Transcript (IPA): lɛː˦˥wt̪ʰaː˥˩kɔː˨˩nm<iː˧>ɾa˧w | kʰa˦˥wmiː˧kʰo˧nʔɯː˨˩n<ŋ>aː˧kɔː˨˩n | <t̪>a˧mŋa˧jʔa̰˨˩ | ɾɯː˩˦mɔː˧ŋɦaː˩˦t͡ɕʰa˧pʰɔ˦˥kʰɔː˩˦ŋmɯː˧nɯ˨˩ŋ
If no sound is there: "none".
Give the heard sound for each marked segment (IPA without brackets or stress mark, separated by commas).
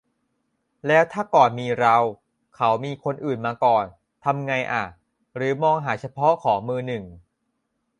iː˧, m, t̪ʰ